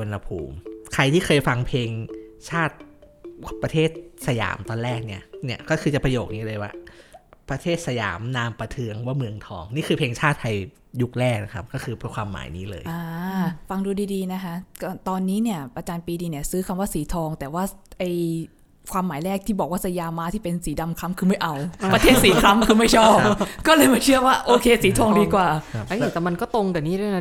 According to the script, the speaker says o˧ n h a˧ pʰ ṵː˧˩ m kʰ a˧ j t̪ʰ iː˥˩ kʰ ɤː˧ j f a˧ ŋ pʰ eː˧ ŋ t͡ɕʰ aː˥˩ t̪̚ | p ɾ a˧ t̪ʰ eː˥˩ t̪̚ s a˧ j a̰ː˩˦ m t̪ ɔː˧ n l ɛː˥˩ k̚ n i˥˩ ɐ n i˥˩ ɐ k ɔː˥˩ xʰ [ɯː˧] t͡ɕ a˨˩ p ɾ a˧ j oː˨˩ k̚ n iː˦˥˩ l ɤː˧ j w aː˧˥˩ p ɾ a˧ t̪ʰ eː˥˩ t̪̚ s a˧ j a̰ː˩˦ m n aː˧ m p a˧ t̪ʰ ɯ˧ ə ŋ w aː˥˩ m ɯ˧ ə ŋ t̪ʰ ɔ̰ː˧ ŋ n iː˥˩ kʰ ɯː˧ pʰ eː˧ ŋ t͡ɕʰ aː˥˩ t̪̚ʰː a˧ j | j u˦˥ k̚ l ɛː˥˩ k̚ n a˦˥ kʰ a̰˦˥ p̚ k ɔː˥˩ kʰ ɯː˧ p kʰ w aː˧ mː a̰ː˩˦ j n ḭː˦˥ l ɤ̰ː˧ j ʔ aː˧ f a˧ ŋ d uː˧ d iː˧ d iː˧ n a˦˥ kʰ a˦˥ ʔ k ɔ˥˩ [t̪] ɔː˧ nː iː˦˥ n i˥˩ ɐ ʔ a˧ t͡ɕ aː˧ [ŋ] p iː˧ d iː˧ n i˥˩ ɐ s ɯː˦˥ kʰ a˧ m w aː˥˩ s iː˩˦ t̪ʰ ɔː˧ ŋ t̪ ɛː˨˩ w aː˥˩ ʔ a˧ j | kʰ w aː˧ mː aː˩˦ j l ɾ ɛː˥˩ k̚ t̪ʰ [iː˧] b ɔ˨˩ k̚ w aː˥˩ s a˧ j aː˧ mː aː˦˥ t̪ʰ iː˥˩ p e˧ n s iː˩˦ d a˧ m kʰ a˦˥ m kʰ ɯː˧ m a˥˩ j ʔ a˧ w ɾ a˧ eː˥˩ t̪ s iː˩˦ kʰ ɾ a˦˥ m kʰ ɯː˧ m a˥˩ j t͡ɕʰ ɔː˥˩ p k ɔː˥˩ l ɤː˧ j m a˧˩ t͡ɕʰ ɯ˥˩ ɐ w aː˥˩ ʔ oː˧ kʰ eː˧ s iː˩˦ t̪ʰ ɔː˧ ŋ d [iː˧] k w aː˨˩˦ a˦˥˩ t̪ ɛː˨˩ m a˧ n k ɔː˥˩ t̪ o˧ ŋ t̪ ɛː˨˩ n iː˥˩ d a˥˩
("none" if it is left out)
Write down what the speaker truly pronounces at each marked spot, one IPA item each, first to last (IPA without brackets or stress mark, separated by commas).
ɯː˧, t̪, n, iː˥˩, iː˧